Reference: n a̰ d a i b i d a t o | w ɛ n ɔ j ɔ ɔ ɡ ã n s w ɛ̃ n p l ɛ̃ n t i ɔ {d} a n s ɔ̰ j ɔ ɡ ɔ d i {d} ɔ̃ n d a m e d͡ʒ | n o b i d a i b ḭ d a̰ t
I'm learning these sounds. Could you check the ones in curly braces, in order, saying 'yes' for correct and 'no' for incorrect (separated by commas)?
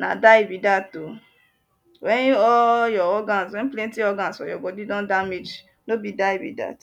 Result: no, yes